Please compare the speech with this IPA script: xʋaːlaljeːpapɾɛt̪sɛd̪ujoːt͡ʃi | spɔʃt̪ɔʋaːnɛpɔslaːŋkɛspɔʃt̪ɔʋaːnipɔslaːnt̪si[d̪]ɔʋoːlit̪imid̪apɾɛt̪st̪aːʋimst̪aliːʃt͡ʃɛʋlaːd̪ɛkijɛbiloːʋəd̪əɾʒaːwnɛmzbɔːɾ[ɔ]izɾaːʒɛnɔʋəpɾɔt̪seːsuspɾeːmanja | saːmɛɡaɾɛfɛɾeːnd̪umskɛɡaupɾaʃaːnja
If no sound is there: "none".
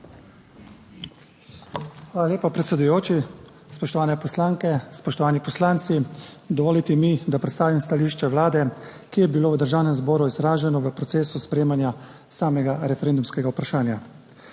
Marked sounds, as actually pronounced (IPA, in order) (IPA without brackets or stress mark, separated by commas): d̪, u